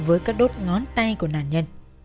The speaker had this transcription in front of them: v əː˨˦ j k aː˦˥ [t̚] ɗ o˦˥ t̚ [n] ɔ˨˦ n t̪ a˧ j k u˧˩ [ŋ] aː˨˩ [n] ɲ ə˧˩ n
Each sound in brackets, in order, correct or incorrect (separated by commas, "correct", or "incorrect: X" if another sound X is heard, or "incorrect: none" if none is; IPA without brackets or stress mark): incorrect: k̚, incorrect: ŋ, incorrect: n, correct